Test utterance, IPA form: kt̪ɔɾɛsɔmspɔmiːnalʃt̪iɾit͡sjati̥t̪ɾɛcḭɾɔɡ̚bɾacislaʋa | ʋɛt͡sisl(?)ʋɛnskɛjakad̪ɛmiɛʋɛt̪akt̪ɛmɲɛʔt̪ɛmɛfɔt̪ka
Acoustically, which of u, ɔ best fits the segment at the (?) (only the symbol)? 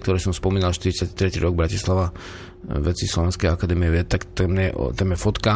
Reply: ɔ